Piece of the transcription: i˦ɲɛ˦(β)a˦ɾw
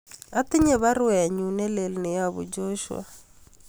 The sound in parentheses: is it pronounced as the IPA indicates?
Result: yes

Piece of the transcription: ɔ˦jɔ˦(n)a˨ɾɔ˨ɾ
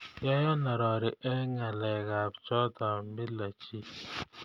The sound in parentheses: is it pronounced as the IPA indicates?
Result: yes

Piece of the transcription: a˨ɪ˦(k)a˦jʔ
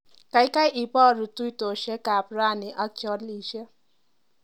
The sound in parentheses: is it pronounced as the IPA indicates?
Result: yes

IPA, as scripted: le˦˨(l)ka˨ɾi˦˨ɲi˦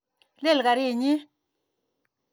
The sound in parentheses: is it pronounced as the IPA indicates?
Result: yes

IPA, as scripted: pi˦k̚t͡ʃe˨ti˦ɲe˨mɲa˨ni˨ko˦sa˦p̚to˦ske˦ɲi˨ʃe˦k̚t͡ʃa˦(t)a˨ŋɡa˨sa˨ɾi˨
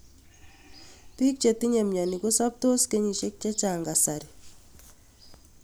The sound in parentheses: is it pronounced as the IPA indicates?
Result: no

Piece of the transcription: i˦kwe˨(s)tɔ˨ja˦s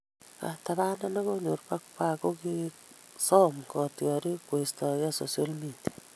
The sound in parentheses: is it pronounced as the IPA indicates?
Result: yes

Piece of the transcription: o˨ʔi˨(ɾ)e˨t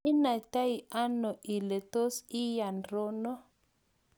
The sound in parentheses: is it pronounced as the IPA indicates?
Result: no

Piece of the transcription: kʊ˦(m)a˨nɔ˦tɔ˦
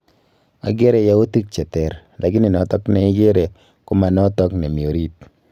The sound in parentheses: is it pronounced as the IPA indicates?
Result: yes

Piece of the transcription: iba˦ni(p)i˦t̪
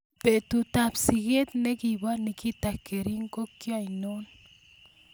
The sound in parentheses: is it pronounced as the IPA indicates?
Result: no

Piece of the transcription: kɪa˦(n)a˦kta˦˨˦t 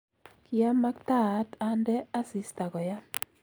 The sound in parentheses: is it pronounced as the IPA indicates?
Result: no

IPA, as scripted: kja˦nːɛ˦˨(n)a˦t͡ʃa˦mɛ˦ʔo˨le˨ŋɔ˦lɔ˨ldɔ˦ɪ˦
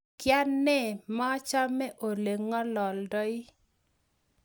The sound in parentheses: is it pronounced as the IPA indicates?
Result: no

